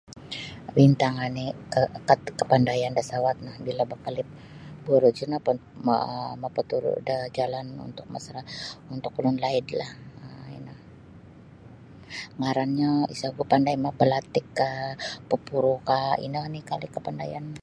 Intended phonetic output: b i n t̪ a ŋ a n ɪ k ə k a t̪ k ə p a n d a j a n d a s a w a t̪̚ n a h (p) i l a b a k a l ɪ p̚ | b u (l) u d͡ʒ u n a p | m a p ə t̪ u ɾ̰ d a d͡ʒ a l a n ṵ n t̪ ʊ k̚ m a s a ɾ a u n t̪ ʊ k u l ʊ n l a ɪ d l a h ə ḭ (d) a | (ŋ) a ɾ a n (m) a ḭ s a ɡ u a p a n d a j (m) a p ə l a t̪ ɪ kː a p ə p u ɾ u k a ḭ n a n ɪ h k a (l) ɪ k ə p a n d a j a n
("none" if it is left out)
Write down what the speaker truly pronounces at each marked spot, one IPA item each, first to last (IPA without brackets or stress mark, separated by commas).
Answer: b, ɾ, n, ŋ, ɲ, m, l